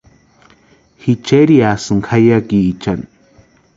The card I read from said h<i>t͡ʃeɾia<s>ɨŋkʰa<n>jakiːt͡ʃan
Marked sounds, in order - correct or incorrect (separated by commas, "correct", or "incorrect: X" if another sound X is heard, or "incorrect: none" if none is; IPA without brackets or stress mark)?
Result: correct, correct, incorrect: none